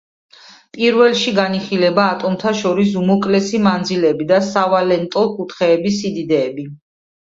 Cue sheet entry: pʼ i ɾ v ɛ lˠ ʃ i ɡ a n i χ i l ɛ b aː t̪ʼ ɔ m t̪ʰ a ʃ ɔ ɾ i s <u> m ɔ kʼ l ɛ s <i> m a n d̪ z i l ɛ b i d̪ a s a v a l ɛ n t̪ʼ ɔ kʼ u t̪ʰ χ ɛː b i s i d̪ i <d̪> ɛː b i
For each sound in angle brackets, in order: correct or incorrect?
correct, correct, correct

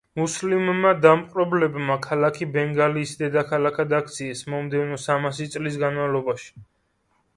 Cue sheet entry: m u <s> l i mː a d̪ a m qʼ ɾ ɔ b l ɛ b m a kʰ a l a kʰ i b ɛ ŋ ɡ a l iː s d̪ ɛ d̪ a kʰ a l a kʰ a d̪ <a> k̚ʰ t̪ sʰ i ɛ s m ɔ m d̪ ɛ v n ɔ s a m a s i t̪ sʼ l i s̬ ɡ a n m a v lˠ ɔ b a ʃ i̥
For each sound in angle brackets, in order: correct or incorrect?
correct, correct

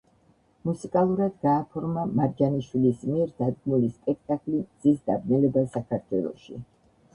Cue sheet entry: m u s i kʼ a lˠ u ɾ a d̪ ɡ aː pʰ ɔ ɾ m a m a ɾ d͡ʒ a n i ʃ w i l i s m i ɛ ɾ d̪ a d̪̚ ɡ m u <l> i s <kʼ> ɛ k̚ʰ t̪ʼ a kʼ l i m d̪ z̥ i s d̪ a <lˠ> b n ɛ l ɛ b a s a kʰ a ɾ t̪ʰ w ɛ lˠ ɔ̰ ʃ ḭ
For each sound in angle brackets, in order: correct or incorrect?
correct, incorrect: pʼ, incorrect: none

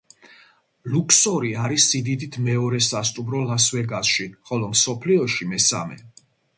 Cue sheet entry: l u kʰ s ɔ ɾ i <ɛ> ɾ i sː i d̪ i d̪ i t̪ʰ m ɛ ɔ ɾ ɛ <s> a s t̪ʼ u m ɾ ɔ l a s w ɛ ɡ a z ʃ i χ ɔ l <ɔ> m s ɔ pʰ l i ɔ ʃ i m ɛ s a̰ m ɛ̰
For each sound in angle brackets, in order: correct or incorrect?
incorrect: a, correct, correct

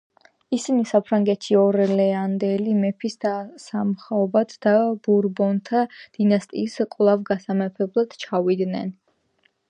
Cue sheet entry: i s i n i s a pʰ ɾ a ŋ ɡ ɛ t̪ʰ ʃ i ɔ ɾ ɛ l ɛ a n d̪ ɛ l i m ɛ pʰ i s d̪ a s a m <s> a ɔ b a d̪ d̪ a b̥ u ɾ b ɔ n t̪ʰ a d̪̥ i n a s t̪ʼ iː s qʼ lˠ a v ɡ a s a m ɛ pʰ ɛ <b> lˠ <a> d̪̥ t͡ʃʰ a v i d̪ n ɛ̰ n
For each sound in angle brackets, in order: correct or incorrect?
incorrect: χ, correct, correct

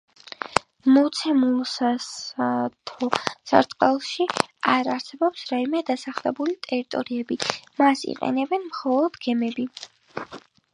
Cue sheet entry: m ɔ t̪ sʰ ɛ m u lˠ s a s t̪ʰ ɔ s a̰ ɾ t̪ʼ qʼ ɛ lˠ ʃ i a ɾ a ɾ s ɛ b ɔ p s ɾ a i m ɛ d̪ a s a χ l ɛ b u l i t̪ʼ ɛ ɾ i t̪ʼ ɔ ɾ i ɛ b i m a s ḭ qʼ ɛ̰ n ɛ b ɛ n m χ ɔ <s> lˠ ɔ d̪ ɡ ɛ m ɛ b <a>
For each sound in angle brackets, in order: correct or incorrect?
incorrect: none, incorrect: i

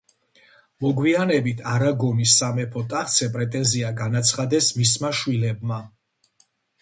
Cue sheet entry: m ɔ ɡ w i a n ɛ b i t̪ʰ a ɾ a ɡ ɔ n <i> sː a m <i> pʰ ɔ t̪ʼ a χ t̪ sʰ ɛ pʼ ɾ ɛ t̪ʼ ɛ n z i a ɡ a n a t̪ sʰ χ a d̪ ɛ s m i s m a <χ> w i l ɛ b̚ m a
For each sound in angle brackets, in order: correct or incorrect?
correct, incorrect: ɛ, incorrect: ʃ

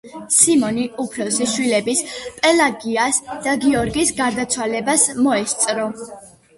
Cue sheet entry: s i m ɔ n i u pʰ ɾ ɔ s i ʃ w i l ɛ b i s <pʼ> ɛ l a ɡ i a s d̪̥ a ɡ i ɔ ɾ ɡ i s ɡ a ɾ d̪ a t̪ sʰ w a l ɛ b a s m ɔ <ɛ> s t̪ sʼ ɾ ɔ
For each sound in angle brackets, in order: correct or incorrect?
correct, correct

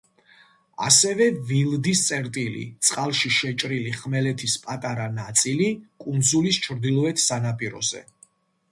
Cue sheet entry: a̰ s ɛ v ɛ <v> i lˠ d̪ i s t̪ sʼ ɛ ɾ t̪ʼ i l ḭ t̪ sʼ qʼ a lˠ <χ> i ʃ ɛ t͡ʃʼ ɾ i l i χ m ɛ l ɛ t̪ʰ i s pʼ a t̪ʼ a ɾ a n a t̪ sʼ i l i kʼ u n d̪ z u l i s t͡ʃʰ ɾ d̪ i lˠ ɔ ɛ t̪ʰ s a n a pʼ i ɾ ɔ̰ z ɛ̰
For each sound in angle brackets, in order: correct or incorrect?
correct, incorrect: ʃ

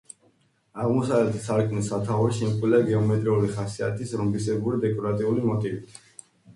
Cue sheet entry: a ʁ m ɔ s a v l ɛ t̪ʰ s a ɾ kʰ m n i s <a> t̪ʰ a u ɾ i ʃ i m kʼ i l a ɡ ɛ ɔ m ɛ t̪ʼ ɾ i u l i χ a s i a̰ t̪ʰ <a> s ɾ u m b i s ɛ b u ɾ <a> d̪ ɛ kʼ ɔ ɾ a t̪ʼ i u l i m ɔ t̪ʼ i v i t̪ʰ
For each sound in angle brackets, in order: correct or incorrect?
correct, incorrect: i, incorrect: i

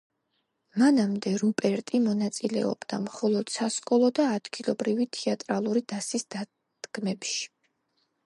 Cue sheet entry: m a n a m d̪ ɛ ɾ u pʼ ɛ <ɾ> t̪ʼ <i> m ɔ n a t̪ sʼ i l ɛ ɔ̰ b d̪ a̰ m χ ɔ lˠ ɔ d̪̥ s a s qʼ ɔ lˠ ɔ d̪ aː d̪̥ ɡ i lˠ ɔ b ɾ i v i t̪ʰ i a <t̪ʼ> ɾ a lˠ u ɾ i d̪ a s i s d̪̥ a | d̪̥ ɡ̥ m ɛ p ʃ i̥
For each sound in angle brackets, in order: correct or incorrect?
correct, correct, correct

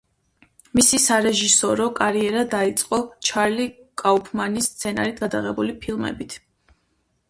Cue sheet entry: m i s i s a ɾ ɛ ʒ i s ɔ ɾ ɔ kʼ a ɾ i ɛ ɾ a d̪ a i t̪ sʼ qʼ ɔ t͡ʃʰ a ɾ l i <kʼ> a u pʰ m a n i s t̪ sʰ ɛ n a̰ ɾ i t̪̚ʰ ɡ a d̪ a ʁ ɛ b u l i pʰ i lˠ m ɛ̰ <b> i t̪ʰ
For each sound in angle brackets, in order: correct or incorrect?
correct, correct

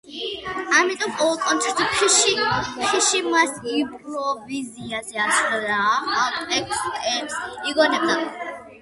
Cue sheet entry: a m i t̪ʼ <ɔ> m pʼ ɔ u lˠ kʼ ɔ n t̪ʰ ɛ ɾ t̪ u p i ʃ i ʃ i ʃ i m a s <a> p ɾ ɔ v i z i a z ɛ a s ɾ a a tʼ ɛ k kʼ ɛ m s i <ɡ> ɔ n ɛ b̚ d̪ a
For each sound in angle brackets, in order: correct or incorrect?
correct, incorrect: i, correct

